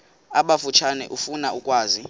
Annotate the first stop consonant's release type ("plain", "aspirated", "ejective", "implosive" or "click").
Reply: implosive